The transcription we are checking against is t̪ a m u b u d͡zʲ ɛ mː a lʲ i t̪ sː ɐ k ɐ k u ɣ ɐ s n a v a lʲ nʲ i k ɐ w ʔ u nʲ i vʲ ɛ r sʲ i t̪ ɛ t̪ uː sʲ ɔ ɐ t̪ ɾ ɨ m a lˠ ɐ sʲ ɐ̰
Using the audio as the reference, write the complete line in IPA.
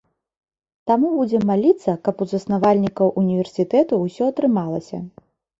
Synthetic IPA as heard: t̪ a m u b u d͡zʲ ɛ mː a lʲ i t̪ sː ɐ k ɐ p u z ɐ s n a v a lʲ nʲ i k ɐ w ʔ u nʲ i vʲ ɛ r sʲ i t̪ ɛ t̪ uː sʲ ɔ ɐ t̪ ɾ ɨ m a lˠ ɐ sʲ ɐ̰